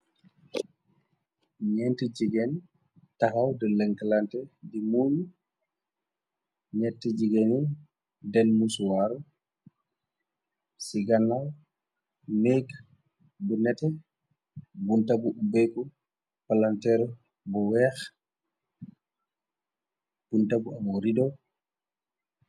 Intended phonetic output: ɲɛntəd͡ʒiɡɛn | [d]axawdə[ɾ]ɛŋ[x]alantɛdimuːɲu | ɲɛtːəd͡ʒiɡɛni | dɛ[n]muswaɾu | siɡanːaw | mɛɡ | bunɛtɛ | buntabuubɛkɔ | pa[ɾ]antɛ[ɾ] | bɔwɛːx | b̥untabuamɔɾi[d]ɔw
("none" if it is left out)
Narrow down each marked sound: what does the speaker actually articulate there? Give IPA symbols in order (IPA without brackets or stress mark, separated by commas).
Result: t, l, k, n, l, ɾ, d